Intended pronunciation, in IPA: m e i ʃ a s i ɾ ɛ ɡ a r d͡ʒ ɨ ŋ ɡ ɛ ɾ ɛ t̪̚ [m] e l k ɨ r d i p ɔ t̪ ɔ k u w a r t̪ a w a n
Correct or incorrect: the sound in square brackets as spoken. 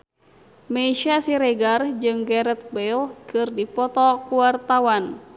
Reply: incorrect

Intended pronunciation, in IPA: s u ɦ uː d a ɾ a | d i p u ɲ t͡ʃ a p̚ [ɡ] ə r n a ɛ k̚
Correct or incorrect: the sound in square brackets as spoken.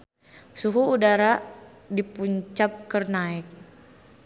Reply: incorrect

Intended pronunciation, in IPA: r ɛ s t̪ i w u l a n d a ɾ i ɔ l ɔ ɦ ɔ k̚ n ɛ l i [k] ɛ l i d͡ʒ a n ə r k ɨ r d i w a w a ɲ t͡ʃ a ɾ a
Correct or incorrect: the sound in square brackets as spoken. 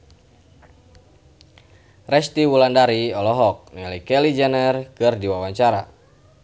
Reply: correct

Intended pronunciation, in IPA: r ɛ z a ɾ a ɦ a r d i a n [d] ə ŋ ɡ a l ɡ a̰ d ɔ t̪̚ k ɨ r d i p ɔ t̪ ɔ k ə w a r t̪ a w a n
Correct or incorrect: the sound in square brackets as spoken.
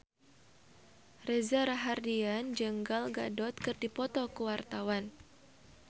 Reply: incorrect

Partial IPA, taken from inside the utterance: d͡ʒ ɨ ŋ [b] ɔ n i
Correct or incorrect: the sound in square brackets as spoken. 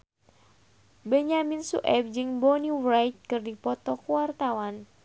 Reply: correct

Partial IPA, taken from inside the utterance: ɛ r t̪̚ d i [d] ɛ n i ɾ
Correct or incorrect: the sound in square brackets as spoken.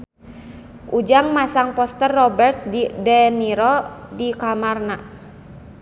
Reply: correct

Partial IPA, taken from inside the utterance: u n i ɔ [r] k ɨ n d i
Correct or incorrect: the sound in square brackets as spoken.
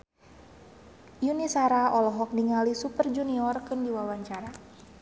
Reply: correct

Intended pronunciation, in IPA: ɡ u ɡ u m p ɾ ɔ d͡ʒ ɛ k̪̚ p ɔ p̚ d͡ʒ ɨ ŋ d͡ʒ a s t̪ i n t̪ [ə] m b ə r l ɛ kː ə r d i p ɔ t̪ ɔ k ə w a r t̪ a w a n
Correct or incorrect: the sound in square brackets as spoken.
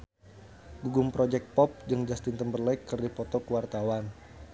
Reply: correct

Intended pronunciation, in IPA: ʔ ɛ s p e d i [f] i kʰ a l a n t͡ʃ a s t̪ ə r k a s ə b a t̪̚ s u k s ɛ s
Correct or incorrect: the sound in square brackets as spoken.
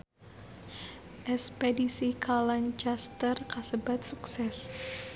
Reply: incorrect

